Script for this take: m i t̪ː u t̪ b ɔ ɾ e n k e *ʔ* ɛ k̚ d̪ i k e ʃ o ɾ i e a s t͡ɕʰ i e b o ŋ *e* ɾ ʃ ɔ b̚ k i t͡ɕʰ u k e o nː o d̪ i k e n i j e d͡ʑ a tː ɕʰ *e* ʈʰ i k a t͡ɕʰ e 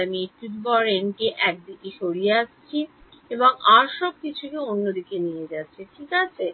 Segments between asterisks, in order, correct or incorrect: correct, incorrect: a, correct

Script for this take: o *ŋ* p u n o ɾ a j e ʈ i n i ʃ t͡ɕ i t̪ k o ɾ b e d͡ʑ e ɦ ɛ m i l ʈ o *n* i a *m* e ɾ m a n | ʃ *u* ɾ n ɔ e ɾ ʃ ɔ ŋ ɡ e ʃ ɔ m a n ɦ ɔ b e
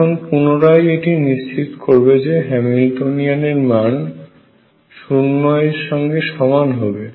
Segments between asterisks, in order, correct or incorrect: incorrect: n, correct, incorrect: n, correct

